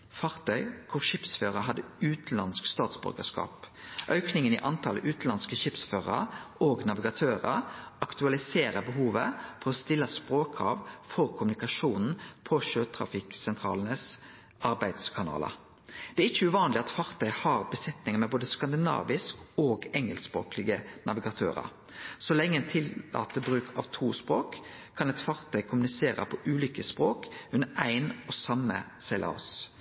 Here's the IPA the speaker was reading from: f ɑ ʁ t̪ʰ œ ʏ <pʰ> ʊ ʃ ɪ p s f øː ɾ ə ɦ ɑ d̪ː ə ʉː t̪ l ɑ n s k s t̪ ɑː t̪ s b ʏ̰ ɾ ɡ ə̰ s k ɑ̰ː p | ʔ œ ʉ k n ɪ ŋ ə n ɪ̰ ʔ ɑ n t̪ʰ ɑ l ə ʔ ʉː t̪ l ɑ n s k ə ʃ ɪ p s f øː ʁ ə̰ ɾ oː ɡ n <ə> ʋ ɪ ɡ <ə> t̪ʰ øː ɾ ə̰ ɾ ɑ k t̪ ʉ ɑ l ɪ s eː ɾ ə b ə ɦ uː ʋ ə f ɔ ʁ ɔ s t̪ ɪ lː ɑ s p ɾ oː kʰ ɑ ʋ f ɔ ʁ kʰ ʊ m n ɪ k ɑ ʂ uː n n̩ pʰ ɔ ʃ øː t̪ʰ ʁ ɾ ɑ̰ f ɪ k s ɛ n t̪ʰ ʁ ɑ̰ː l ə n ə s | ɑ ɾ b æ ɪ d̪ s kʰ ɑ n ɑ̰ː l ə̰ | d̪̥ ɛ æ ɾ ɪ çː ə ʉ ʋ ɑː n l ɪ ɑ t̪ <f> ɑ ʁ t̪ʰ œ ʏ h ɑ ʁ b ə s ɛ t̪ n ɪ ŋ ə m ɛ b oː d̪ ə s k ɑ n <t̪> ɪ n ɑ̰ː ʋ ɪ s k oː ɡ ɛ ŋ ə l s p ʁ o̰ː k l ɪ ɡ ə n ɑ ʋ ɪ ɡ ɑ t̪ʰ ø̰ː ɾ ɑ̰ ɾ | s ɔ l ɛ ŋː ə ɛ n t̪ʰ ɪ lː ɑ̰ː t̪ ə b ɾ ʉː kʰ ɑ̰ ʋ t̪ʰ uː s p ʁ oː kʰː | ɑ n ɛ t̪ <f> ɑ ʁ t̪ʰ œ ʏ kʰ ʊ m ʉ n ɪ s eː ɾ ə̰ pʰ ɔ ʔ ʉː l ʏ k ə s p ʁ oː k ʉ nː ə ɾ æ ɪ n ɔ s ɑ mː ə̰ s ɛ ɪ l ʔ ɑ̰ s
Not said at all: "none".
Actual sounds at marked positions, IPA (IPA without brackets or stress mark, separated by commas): kʰ, ɑ, ɑ, f, d̪, f